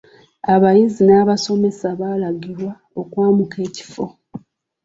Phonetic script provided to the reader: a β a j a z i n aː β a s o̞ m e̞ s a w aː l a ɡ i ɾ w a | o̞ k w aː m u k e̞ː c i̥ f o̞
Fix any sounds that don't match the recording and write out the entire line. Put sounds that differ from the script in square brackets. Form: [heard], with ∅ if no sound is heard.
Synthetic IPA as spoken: a β a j [i] z i n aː β a s o̞ m e̞ s a [β] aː l a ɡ i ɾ w a | o̞ k w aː m u k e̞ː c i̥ f o̞